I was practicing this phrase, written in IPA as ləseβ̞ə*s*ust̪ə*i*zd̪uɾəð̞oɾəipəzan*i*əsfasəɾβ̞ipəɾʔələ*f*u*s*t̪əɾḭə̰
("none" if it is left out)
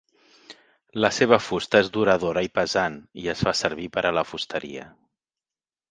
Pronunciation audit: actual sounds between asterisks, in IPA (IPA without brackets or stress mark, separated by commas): f, e, i, f, s